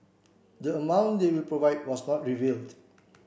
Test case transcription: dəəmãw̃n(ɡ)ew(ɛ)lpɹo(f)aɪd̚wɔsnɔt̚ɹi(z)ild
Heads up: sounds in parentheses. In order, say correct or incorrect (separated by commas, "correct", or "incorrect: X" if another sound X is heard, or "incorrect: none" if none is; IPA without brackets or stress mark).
incorrect: d, incorrect: i, incorrect: v, incorrect: v